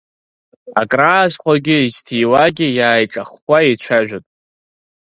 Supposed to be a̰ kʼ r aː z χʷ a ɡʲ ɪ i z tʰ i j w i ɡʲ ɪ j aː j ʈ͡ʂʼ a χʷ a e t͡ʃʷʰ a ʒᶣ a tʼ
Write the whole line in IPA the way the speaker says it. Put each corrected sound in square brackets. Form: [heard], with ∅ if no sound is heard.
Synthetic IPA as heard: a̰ kʼ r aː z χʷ a ɡʲ ɪ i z tʰ i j w [a] ɡʲ ɪ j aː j ʈ͡ʂʼ a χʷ a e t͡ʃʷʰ a ʒᶣ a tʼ